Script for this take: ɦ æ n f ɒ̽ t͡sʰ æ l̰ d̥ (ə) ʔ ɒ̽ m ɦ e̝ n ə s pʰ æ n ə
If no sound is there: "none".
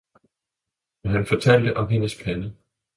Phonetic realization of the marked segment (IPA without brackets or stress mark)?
ə